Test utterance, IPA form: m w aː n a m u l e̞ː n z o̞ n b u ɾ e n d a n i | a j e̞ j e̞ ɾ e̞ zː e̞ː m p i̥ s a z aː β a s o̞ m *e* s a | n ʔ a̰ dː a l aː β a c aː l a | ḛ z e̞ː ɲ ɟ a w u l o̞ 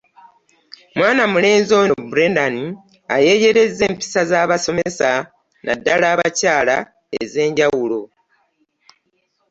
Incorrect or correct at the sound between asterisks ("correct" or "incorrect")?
correct